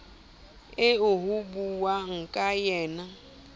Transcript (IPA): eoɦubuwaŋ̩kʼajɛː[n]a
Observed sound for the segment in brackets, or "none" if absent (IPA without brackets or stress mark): n